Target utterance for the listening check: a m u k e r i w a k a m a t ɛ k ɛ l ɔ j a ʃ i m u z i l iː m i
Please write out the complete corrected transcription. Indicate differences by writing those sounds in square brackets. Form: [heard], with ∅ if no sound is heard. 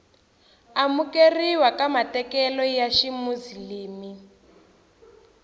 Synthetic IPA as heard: a m u k e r i w a k a m a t ɛ k ɛ l ɔ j a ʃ i m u z i l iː m i

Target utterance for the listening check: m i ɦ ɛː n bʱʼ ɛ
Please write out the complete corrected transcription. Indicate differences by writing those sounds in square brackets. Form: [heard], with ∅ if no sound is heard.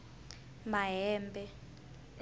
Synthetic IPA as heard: m [a] ɦ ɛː [m] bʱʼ ɛ

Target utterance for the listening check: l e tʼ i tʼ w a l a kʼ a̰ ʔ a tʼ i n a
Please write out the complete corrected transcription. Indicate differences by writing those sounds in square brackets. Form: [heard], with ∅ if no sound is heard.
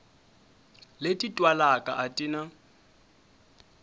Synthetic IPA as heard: l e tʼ i tʼ w a l a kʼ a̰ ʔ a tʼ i n a

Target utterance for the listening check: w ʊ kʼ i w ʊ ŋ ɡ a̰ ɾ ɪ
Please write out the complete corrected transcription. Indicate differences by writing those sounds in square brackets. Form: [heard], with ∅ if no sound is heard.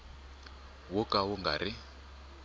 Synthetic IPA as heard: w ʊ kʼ [a] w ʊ ŋ ɡ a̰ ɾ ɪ

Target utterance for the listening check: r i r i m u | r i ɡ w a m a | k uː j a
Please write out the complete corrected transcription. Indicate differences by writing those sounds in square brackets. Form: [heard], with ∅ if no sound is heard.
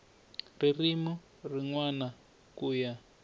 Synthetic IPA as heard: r i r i m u | r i [ŋ] w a [n] a | k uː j a

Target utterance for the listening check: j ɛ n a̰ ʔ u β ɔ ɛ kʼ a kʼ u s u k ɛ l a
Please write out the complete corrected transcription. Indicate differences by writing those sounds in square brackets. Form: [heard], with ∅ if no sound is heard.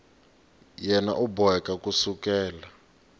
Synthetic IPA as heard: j ɛ n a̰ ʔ u [b] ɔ ɛ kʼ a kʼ u s u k [ɛː] l a

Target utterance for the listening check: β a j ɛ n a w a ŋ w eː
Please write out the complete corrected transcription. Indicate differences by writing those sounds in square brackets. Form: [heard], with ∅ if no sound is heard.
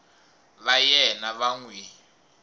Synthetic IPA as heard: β a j ɛ n a [β] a ŋ w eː

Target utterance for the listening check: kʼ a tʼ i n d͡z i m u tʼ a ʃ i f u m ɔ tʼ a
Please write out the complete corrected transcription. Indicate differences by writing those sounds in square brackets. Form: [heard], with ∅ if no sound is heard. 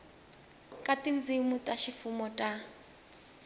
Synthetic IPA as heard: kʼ a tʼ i n d͡z i m u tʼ a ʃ i f u m ɔ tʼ a

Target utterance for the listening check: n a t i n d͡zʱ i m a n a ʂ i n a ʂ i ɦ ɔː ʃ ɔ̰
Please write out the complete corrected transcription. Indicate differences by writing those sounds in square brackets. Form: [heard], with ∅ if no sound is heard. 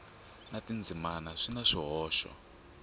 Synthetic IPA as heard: n a t i n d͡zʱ i m a n a ʂ i n a ʂ i ɦ ɔː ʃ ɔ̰

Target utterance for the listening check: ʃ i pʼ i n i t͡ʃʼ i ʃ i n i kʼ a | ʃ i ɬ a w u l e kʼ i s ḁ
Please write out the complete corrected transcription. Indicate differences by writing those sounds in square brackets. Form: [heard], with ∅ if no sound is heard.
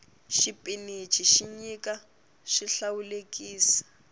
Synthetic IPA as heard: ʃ i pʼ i n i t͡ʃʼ i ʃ i [ɲ] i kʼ a | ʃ i ɬ a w u l e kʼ [iː] s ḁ

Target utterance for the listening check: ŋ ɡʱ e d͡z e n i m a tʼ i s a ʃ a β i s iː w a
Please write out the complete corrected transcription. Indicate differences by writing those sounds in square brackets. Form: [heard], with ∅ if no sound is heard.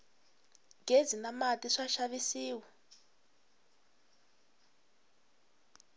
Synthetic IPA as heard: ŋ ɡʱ e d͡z [i] n [a] m a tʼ i [ʂ] a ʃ a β i s iː w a

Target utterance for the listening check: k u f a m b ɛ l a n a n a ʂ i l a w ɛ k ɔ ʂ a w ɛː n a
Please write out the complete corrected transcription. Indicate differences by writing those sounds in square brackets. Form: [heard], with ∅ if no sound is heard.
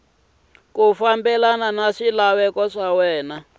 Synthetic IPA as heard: k u f a m b ɛ l a n a n a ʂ i l a w ɛ k ɔ ʂ a w ɛː n a

